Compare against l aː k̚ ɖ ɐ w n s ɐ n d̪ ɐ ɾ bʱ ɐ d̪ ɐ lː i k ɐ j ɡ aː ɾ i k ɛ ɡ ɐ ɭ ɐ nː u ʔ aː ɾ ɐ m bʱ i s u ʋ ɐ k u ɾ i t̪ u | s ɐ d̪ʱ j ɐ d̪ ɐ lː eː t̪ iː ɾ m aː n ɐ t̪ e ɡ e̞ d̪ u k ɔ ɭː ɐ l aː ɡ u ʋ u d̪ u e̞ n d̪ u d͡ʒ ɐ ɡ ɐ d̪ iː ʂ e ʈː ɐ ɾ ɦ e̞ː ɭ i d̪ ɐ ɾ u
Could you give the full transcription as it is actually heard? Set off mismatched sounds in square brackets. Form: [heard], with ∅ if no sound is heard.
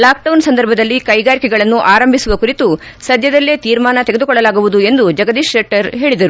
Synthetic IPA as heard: l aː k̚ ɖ ɐ w n s ɐ n d̪ ɐ ɾ bʱ ɐ d̪ ɐ lː i k ɐ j ɡ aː ɾ i k ɛ ɡ ɐ ɭ ɐ nː u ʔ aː ɾ ɐ m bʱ i s u ʋ ɐ k u ɾ i t̪ u | s ɐ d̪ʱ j ɐ d̪ ɐ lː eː t̪ iː ɾ m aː n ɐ t̪ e ɡ e̞ d̪ u k ɔ ɭː ɐ l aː ɡ u ʋ u d̪ u e̞ n d̪ u d͡ʒ ɐ ɡ ɐ d̪ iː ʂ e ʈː ɐ ɾ ɦ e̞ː ɭ i d̪ ɐ ɾ u